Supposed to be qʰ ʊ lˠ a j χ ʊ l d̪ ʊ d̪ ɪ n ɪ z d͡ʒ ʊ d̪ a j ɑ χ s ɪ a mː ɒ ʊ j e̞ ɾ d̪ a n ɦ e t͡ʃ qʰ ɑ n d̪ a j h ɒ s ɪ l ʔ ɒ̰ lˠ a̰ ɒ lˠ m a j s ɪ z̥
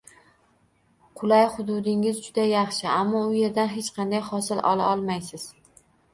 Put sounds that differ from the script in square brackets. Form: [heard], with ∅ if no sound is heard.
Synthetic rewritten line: qʰ ʊ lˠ a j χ ʊ [∅] d̪ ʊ d̪ ɪ [ŋ] ɪ z d͡ʒ ʊ d̪ a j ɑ χ [ʃ] ɪ a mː ɒ ʊ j e̞ ɾ d̪ a n ɦ e t͡ʃ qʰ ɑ n d̪ a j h ɒ s ɪ l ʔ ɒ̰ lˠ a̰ ɒ lˠ m a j s ɪ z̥